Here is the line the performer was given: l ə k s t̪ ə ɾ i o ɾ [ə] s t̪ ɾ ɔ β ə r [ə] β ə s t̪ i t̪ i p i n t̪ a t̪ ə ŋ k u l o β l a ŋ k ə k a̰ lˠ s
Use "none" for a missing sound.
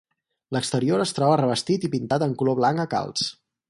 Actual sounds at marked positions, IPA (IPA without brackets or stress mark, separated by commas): ə, ə